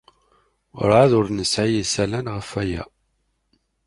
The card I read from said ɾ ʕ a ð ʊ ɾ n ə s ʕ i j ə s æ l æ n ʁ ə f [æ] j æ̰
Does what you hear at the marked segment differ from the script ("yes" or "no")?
no